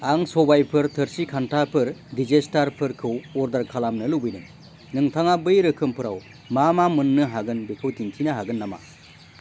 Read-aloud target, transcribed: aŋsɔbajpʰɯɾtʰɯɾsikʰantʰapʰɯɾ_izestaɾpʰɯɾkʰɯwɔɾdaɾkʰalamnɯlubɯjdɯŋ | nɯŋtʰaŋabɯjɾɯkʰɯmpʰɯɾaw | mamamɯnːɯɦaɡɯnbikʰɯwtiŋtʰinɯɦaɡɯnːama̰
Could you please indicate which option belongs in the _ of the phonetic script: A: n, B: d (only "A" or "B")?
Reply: B